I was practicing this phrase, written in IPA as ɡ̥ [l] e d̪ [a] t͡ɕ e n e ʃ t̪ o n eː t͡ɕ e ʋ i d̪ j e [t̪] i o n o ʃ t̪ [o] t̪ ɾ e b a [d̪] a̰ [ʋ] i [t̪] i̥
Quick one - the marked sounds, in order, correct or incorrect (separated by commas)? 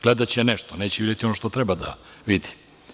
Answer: correct, correct, correct, correct, correct, correct, incorrect